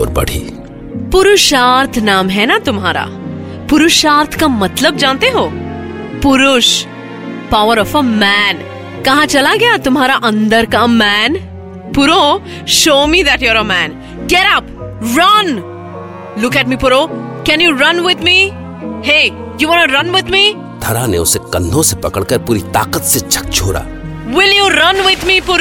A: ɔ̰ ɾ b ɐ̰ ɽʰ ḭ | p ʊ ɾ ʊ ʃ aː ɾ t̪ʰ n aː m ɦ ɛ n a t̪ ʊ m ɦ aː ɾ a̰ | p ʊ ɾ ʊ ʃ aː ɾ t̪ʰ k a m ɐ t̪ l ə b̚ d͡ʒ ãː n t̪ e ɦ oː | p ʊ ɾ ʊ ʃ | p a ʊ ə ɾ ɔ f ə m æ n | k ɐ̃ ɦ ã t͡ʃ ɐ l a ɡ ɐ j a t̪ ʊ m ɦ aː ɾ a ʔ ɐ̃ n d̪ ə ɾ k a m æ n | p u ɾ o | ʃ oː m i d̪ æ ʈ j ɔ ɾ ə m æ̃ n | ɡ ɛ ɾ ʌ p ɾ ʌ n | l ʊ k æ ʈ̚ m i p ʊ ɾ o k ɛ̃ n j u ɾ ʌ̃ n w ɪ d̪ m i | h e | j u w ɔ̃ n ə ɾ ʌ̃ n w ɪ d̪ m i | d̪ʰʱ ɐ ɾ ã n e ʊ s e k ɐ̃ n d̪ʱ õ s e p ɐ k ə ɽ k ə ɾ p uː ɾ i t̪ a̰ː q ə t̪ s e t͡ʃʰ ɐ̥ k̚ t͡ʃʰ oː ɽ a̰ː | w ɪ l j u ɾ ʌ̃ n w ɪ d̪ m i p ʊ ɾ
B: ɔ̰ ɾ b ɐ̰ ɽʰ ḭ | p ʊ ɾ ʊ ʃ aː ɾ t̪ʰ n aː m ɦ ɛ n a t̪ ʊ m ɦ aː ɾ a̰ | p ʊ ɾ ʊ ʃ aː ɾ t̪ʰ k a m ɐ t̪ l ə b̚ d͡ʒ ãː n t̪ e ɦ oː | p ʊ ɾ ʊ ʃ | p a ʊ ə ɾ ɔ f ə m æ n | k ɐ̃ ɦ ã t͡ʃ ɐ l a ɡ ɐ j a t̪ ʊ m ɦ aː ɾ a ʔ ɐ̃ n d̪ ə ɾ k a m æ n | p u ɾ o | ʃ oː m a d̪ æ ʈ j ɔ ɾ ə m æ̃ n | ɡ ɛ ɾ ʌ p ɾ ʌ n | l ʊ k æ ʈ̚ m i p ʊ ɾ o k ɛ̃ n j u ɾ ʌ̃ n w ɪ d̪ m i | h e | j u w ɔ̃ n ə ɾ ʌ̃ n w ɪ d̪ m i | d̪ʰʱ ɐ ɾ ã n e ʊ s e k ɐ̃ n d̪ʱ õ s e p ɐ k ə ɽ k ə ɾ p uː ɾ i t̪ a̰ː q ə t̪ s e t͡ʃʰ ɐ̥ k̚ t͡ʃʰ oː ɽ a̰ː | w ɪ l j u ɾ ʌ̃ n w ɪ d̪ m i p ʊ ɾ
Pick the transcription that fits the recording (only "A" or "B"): A